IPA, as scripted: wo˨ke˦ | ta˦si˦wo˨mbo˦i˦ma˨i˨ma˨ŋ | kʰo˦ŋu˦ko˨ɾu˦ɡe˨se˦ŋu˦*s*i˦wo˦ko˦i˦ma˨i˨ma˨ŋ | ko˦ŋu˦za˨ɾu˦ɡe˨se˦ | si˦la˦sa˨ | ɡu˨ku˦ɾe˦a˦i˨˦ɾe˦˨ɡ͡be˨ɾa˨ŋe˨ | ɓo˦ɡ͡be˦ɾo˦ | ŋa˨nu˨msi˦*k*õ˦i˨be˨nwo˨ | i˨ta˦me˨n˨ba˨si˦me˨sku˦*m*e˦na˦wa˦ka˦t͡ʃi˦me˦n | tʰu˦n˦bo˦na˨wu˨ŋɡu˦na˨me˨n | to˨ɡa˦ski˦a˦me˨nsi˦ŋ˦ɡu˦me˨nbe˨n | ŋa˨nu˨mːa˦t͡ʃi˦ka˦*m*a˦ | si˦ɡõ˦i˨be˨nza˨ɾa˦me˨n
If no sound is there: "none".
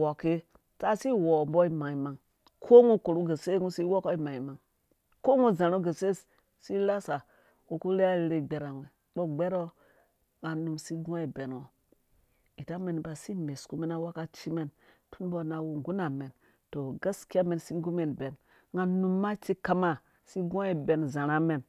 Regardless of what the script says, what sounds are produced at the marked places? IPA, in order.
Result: s, ɡ, m, m

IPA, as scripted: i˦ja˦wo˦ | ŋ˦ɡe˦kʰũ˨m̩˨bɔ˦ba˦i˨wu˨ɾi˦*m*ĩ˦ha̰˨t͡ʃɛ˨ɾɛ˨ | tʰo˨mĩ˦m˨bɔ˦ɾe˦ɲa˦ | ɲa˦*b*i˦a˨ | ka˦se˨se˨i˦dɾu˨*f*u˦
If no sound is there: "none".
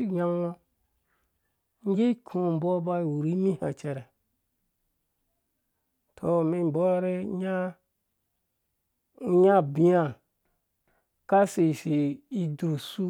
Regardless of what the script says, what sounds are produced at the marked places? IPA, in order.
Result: m, b, s

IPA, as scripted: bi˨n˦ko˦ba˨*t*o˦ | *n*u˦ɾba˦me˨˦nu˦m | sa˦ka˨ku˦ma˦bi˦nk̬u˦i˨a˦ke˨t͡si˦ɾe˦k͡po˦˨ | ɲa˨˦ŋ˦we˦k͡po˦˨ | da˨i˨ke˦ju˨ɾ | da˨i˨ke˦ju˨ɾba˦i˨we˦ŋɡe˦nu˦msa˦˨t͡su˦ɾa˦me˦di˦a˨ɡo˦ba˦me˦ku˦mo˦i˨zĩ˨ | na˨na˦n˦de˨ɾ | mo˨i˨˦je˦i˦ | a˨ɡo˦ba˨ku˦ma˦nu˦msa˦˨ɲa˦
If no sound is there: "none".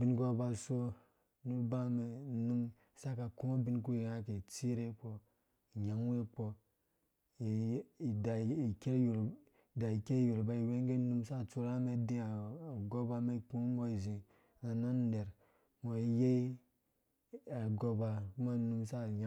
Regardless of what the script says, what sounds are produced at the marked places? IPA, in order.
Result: s, n

